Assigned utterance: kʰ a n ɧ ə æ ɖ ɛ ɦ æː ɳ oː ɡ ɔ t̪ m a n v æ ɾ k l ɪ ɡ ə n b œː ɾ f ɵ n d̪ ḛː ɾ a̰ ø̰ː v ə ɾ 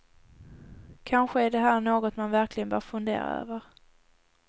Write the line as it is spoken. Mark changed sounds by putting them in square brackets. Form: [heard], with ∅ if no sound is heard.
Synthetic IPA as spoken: kʰ a n ɧ ə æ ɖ ɛ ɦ æː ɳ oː ɡ ɔ t̪ m a n v æ ɾ k l ɪ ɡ ə n b œː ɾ f ɵ n d̪ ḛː ɾ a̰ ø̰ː v ə ɾ